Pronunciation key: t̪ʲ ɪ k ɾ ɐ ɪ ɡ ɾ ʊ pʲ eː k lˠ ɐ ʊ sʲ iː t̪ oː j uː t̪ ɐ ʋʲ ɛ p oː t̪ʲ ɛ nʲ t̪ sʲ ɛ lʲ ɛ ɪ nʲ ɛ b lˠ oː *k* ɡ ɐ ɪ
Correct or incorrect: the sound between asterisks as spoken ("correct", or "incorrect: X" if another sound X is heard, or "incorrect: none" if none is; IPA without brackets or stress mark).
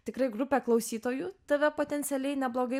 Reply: incorrect: none